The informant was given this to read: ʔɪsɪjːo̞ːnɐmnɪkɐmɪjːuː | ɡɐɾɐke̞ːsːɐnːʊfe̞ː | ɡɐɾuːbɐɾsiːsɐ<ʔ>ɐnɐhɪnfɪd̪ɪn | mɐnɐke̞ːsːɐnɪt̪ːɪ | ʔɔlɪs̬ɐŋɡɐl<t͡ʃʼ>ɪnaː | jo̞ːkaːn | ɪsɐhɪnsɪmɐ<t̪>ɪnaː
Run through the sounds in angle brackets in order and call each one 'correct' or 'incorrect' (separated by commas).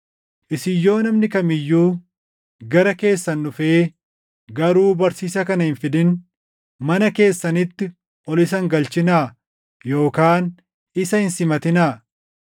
incorrect, incorrect, correct